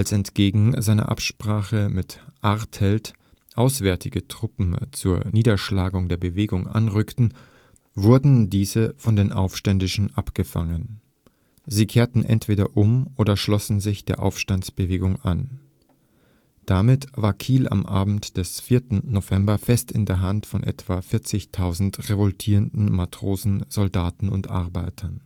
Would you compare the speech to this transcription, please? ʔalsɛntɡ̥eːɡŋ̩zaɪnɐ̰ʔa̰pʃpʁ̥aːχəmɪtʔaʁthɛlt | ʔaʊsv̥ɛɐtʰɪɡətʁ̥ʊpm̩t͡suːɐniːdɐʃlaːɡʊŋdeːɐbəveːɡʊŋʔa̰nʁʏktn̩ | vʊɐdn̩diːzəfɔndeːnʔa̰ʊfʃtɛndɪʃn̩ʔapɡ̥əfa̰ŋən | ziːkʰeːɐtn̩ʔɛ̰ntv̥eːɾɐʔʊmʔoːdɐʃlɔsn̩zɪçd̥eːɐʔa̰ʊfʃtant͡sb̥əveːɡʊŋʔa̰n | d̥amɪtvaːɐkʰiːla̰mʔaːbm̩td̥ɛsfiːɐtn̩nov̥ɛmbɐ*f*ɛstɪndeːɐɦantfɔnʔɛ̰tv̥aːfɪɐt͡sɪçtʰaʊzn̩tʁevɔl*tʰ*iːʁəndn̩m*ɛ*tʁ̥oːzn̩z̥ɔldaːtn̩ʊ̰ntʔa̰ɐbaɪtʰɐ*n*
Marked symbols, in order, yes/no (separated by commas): yes, yes, no, yes